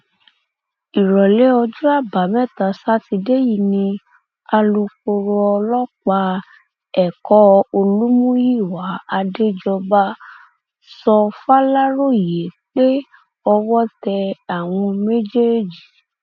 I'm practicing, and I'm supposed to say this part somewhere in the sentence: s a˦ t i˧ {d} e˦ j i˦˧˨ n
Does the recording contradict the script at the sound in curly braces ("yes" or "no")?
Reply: no